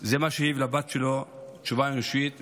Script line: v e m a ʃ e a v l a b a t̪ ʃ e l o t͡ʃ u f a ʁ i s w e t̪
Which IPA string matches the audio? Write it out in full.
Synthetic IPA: z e m a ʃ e i v l a b a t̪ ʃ e l o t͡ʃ u v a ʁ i ʃ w i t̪